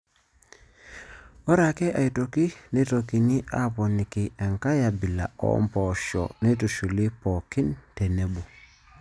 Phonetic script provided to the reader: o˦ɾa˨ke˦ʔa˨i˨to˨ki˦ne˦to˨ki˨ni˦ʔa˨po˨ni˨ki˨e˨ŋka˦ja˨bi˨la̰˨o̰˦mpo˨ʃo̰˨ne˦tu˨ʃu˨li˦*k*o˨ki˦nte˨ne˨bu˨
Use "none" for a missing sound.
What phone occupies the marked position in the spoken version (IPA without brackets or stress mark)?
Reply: p